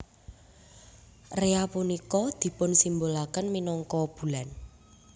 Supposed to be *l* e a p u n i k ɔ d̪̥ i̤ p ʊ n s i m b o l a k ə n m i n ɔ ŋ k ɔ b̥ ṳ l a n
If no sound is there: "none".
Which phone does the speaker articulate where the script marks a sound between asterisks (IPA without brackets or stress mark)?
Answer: r